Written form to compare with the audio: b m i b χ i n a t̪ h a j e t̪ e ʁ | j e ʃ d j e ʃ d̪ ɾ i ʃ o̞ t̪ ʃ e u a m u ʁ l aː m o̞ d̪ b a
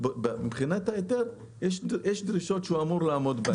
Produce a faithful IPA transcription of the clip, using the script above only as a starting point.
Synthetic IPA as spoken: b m i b χ i n a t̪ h a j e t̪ e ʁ | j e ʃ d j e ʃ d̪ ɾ i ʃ o̞ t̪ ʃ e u a m u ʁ l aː m o̞ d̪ b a